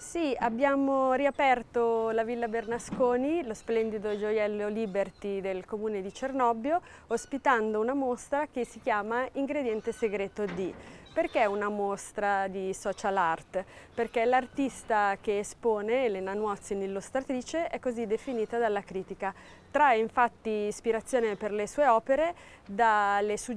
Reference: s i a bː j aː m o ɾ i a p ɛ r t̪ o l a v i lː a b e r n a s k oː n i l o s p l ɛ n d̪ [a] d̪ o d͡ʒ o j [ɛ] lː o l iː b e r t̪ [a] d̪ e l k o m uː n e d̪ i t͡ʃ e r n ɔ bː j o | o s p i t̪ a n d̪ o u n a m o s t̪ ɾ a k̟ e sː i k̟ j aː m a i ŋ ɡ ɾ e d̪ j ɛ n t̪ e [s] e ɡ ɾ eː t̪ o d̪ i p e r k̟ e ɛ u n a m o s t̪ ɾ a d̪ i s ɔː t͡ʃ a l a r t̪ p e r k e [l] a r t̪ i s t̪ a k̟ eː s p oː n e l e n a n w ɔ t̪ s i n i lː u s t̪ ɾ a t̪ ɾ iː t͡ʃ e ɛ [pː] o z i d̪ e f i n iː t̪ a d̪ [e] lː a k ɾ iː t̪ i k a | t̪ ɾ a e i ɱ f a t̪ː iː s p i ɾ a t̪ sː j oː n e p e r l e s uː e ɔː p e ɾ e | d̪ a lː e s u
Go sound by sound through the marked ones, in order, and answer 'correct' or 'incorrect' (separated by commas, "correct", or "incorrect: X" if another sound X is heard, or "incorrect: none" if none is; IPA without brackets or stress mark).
incorrect: i, correct, incorrect: i, correct, correct, incorrect: kː, incorrect: a